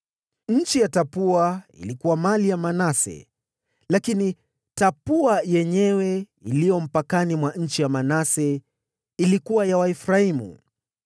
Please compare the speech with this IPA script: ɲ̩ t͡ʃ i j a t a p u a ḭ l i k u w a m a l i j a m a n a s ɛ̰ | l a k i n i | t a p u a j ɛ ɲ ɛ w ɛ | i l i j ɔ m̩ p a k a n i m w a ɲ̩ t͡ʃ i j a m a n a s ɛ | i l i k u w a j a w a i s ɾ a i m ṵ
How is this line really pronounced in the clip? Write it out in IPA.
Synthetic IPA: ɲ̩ t͡ʃ i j a t a p u a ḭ l i k u w a m a l i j a m a n a s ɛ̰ | l a k i n i | t a p u a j ɛ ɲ ɛ w ɛ | i l i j ɔ m̩ p a k a n i m w a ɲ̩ t͡ʃ i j a m a n a s ɛ | i l i k u w a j a w a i f ɾ a i m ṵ